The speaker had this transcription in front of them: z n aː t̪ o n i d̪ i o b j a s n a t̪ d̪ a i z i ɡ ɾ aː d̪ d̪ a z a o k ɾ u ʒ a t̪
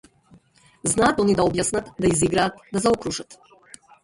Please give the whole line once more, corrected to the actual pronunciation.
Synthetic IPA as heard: z n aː t̪ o n i d̪ a o b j a s n a t̪ d̪ a i z i ɡ ɾ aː t̪ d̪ a z a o k ɾ u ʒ a t̪